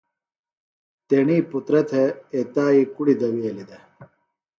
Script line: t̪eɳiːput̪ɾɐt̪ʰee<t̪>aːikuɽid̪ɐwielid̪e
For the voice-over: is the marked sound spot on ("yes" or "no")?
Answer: yes